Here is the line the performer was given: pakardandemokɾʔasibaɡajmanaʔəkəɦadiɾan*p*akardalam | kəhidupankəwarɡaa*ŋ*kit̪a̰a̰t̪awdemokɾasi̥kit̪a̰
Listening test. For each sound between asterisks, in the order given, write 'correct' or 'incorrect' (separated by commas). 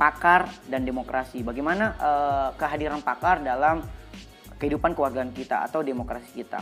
correct, incorrect